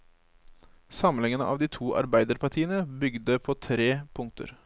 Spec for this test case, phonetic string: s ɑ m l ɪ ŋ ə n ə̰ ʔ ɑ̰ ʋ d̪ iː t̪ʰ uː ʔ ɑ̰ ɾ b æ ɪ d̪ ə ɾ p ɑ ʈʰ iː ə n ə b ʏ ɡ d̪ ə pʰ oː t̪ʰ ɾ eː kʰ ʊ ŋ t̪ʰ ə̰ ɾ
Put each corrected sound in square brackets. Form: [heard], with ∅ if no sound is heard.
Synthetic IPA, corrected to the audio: s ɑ m l ɪ ŋ ə n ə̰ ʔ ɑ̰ ʋ d̪ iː t̪ʰ uː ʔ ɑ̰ ɾ b æ ɪ d̪ ə ɾ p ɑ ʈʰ iː ə n ə b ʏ ɡ d̪ ə pʰ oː t̪ʰ ɾ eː [pʰ] ʊ ŋ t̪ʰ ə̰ ɾ

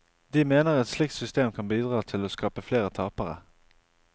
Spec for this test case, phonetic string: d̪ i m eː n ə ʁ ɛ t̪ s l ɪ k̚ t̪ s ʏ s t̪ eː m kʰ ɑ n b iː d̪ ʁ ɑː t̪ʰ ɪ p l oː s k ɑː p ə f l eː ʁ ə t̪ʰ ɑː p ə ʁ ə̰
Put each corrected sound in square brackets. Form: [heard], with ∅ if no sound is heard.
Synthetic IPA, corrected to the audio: d̪ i m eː n ə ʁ ɛ t̪ s l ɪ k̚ t̪ s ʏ s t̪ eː m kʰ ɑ n b iː d̪ ʁ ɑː t̪ʰ ɪ [∅] l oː s k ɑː p ə f l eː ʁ ə t̪ʰ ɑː p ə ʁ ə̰

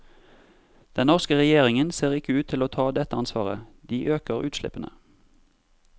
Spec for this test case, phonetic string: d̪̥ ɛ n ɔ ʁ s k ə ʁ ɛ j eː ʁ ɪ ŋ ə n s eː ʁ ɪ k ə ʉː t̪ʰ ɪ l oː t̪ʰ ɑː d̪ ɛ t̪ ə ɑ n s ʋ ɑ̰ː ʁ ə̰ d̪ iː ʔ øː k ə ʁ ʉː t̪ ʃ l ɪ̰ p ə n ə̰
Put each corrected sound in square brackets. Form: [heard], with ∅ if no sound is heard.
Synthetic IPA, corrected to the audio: d̪̥ ɛ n ɔ ʁ s k ə ʁ ɛ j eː ʁ ɪ ŋ ə n s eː ʁ ɪ k ə ʉː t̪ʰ ɪ l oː t̪ʰ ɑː d̪ ɛ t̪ ə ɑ n s ʋ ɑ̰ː ʁ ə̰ d̪ iː ʔ øː k ə ʁ ʉː t̪ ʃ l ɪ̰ p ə n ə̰

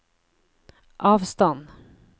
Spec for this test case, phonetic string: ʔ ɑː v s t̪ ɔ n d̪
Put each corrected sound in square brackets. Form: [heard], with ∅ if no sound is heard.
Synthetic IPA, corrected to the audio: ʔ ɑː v s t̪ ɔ n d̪

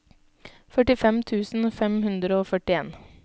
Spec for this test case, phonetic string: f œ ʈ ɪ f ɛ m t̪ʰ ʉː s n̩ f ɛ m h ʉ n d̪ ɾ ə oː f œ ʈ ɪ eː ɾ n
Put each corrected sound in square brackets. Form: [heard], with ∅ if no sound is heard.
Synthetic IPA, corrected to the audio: f œ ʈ ɪ f ɛ m t̪ʰ ʉː s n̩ f ɛ m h ʉ n d̪ ɾ ə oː f œ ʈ ɪ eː [∅] n

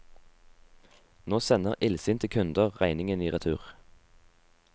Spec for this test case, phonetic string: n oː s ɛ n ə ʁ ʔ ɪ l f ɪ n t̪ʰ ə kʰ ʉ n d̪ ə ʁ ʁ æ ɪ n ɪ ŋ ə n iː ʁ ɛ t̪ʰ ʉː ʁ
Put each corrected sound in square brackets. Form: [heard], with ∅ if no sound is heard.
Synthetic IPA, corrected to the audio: n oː s ɛ n ə ʁ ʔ ɪ l [s] ɪ n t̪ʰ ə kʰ ʉ n d̪ ə ʁ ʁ æ ɪ n ɪ ŋ ə n iː ʁ ɛ t̪ʰ ʉː ʁ

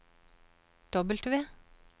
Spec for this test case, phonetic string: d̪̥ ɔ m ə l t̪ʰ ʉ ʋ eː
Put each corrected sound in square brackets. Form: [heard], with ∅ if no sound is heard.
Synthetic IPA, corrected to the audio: d̪̥ ɔ [b] ə l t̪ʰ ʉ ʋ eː

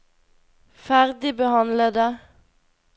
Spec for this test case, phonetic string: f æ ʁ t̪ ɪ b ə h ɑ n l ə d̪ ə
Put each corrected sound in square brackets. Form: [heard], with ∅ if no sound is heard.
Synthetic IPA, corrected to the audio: f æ ʁ [d̪] ɪ b ə h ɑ n l ə d̪ ə

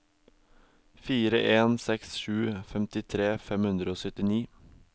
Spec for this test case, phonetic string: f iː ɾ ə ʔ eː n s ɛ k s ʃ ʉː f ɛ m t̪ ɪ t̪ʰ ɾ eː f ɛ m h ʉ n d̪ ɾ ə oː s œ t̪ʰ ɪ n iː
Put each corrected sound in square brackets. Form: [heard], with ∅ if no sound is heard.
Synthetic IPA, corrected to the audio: f iː ɾ ə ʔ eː n s ɛ k s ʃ ʉː f ɛ m t̪ ɪ t̪ʰ ɾ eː f ɛ m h ʉ n d̪ ɾ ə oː s œ [t̪] ɪ n iː

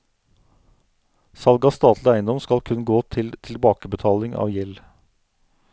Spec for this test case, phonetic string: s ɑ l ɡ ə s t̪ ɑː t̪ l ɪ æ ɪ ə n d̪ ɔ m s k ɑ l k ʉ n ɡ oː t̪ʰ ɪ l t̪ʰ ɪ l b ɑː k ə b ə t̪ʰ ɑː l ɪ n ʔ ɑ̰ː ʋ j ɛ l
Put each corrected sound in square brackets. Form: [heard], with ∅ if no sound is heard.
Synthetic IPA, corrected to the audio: s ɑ l ɡ [ɑ] s t̪ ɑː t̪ l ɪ æ ɪ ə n d̪ ɔ m s k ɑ l [kʰ] ʉ n ɡ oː t̪ʰ ɪ l t̪ʰ ɪ l b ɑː k ə b ə t̪ʰ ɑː l ɪ [ŋ] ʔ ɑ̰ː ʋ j ɛ l

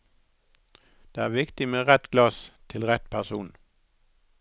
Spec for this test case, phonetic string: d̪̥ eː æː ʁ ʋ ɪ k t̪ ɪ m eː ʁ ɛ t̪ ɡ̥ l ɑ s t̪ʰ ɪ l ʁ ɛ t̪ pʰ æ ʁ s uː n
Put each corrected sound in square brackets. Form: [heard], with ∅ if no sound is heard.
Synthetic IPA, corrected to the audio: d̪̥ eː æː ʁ ʋ ɪ k t̪ ɪ m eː ʁ ɛ t̪ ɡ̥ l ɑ s t̪ʰ ɪ l ʁ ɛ t̪ pʰ æ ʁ s uː n

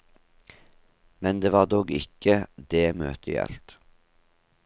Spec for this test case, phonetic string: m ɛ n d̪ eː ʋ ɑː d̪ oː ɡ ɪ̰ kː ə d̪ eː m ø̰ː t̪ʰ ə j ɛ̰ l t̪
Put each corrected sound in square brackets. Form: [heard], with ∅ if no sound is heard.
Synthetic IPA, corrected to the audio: m ɛ n d̪ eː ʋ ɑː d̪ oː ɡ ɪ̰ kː ə d̪ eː m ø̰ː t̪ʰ ə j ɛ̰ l t̪

